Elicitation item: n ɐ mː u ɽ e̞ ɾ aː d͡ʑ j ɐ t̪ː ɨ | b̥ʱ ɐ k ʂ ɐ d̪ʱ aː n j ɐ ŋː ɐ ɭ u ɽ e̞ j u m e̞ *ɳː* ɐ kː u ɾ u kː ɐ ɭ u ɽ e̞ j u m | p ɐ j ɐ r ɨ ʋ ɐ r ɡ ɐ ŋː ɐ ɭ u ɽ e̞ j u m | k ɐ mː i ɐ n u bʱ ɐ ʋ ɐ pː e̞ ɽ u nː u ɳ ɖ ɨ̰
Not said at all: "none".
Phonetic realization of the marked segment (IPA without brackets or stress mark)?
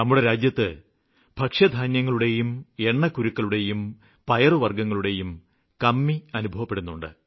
ɳː